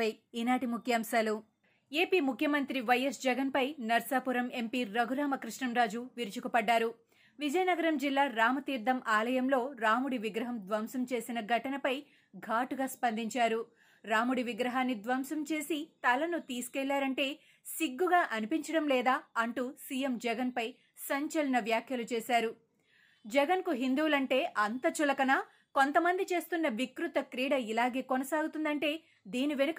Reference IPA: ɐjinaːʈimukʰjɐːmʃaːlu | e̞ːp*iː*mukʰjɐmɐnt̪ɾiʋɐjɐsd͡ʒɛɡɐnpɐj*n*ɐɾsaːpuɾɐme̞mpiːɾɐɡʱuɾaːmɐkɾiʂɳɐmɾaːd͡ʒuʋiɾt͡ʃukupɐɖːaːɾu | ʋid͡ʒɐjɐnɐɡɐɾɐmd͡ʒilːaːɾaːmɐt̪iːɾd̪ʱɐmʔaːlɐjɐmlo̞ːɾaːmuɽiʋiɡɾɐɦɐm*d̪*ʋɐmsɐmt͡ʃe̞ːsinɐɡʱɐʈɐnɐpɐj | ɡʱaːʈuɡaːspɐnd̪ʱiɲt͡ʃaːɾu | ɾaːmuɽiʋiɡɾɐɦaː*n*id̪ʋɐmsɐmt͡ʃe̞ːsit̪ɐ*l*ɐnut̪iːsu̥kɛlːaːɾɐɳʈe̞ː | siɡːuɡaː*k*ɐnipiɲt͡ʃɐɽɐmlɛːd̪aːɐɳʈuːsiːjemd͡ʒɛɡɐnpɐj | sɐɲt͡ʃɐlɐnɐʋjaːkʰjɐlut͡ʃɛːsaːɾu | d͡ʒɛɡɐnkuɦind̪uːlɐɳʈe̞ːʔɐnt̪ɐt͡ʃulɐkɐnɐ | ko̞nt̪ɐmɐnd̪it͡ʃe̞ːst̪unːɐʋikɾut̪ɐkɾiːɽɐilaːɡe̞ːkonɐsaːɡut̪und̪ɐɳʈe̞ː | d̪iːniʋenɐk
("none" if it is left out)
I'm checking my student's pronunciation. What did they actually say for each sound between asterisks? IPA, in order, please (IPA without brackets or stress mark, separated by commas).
iː, n, d̪, nː, l, ʔ